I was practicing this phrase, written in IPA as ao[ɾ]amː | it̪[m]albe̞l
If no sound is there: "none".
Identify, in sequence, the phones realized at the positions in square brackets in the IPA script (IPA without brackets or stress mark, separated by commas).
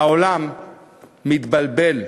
l, b